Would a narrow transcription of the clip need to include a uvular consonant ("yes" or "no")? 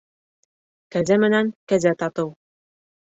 no